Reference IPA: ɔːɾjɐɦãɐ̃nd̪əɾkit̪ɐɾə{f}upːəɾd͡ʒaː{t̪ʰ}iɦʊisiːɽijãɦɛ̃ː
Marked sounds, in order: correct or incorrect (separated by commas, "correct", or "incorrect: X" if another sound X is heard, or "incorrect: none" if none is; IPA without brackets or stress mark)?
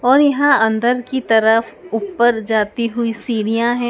correct, incorrect: t̪